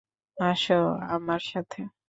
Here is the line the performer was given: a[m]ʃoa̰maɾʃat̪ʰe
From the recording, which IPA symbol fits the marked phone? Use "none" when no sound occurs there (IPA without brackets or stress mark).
none